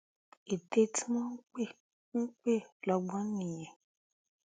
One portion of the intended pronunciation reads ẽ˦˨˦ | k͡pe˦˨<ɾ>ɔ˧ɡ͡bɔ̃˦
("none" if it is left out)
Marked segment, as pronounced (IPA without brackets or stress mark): l